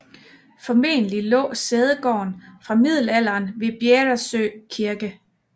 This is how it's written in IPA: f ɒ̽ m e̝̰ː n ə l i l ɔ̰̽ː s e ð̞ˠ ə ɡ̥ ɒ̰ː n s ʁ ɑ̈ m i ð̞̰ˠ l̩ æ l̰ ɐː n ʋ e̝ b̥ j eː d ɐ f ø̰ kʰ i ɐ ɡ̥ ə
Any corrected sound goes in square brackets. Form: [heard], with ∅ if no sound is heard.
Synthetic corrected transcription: f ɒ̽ m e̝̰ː n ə l i l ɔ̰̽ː s e ð̞ˠ ə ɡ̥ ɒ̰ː n [f] ʁ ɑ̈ m i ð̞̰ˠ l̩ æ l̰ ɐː n ʋ e̝ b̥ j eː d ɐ [s] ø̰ kʰ i ɐ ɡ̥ ə